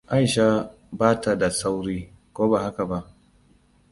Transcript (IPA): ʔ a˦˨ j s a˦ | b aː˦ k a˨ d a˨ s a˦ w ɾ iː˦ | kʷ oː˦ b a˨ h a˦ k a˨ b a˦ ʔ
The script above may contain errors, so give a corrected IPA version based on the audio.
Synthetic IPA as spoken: ʔ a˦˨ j ʃ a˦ | b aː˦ t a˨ d a˨ s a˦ w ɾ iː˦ | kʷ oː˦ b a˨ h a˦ k a˨ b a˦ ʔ